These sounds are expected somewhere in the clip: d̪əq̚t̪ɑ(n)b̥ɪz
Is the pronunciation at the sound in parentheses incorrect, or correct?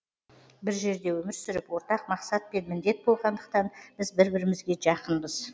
correct